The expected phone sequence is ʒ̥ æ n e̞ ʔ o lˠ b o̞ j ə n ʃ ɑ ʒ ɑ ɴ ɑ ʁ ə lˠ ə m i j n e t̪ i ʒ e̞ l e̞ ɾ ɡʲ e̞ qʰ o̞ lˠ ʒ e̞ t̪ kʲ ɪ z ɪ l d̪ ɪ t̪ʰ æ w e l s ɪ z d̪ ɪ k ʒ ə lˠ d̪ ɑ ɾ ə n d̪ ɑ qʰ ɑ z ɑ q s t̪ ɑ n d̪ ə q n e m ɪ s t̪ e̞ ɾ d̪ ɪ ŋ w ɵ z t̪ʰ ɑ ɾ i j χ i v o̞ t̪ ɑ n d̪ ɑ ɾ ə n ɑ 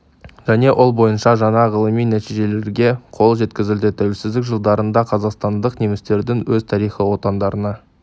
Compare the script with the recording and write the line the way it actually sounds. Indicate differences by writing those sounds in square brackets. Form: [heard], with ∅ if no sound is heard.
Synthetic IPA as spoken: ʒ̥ æ n e̞ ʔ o lˠ b o̞ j ə n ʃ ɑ ʒ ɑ ɴ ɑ ʁ ə lˠ ə m i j n [æ] t̪ i ʒ e̞ l e̞ ɾ ɡʲ e̞ qʰ o̞ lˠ ʒ e̞ t̪ kʲ ɪ z ɪ l d̪ ɪ t̪ʰ æ w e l s ɪ z d̪ ɪ k ʒ ə lˠ d̪ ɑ ɾ ə n d̪ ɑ qʰ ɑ z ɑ q s t̪ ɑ n d̪ ə q n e m ɪ s t̪ e̞ ɾ d̪ ɪ ŋ w ɵ z t̪ʰ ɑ ɾ i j χ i [w] o̞ t̪ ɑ n d̪ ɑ ɾ ə n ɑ